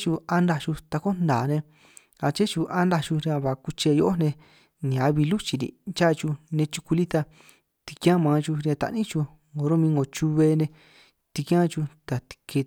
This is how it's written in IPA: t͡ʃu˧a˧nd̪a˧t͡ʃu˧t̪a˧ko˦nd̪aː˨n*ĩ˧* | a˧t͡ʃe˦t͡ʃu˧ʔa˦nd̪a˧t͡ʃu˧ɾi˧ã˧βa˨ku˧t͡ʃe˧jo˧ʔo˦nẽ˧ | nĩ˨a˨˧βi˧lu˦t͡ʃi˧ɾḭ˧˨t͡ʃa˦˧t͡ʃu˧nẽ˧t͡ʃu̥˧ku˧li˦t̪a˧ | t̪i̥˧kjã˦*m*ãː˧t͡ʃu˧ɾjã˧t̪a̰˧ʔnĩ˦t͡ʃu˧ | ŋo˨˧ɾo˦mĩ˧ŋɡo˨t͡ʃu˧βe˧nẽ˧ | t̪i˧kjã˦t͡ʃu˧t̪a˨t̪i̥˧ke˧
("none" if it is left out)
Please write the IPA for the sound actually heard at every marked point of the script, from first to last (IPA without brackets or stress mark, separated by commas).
ẽ˧, m